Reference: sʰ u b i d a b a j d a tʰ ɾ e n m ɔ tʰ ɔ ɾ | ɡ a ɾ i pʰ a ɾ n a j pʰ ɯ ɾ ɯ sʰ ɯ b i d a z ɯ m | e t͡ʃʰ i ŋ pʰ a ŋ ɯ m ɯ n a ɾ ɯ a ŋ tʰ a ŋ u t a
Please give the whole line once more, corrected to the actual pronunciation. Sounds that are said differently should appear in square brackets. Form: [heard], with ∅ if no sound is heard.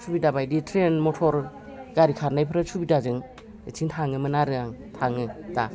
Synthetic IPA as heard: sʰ u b i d a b a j d [i] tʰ ɾ e n m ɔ tʰ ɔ ɾ | ɡ a ɾ i [kʰ] a ɾ n a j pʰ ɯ ɾ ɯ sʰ [u] b i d a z ɯ [ŋ] | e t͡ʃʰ i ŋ [tʰ] a ŋ ɯ m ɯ n a ɾ ɯ a ŋ tʰ a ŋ [ɯ] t a